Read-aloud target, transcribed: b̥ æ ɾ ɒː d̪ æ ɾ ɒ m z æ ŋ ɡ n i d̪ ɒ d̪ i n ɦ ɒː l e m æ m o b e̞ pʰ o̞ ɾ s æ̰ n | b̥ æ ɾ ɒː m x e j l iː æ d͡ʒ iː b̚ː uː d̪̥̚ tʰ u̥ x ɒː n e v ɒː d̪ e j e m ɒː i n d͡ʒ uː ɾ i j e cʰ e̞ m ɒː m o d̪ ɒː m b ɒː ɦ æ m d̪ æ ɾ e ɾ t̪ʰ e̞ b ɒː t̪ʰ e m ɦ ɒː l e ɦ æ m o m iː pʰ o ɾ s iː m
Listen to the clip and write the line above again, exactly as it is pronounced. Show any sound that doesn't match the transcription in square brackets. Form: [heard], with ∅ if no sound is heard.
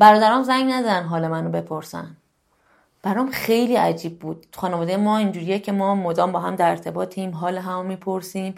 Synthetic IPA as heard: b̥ æ ɾ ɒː d̪ æ ɾ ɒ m z æ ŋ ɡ n [æ] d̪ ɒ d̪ [æ] n ɦ ɒː l e m æ [n] o b e̞ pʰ o̞ ɾ s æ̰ n | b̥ æ ɾ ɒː m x e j l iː æ d͡ʒ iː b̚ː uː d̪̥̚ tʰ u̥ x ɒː n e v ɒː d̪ e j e m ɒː i n d͡ʒ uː ɾ i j e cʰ e̞ m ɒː m o d̪ ɒː m b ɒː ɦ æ m d̪ æ ɾ e ɾ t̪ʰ e̞ b ɒː t̪ʰ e m ɦ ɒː l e ɦ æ m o m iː pʰ o ɾ s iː m